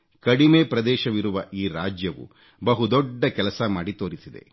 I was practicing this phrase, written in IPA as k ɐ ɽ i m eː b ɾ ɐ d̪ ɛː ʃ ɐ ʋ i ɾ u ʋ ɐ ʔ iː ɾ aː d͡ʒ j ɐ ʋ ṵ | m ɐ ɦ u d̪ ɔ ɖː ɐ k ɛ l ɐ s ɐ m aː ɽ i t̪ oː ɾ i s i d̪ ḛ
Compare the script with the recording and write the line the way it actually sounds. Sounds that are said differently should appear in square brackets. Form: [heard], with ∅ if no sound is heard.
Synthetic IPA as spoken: k ɐ ɽ i m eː [p] ɾ ɐ d̪ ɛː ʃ ɐ ʋ i ɾ u ʋ ɐ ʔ iː ɾ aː d͡ʒ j ɐ ʋ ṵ | [b] ɐ ɦ u d̪ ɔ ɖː ɐ k ɛ l ɐ s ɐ m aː ɽ i t̪ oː ɾ i s i d̪ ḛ